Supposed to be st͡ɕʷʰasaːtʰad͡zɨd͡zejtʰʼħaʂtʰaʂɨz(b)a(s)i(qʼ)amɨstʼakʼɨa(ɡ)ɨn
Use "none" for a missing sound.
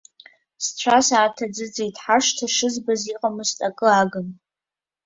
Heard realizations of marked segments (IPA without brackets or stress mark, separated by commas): b, z, qʼ, ɡ